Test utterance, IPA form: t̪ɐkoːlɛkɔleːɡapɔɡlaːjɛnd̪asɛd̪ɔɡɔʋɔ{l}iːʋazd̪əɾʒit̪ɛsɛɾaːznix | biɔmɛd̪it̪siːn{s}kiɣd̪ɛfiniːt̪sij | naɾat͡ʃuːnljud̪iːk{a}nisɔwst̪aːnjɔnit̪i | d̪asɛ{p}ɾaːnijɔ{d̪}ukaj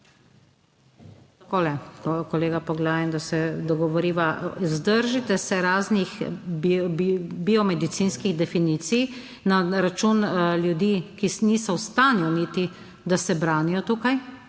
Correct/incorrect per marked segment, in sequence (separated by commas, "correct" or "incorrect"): incorrect, correct, incorrect, incorrect, incorrect